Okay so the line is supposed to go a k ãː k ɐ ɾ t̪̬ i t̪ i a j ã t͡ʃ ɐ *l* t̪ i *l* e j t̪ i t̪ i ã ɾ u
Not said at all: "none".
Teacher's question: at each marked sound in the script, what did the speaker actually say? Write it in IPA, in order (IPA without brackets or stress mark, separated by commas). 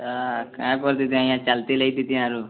l, l